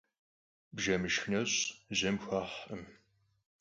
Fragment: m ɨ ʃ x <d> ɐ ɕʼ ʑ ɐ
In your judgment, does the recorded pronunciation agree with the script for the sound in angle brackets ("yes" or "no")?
no